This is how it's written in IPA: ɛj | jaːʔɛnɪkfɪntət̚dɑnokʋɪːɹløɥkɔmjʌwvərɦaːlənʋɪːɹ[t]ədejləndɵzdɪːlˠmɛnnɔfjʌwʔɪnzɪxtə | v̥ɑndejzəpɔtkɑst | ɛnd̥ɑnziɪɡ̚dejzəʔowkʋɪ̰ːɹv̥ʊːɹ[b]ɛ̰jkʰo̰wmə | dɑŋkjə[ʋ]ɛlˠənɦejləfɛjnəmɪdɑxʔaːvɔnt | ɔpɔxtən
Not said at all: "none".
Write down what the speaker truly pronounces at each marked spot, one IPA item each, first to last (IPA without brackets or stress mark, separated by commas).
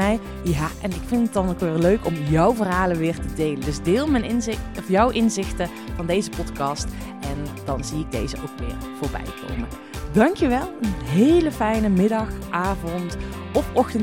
t, b, ʋ